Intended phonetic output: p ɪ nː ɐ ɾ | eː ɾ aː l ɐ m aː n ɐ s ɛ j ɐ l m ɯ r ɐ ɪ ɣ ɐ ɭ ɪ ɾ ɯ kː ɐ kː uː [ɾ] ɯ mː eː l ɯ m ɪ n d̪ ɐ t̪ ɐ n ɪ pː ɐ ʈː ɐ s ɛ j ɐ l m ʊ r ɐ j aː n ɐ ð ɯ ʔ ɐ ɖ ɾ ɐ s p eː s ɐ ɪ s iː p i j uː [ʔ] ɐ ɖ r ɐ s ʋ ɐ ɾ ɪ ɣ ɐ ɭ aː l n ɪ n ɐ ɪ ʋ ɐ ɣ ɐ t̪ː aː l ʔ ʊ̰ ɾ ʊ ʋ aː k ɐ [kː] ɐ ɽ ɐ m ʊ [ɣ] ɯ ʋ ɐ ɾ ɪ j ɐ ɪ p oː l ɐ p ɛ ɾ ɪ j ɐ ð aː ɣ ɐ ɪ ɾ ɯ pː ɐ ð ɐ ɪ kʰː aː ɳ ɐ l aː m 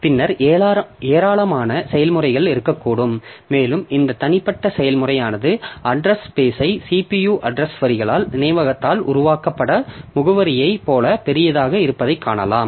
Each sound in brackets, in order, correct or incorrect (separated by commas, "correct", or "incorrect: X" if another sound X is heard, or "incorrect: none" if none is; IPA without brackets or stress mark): incorrect: ɽ, correct, incorrect: pː, correct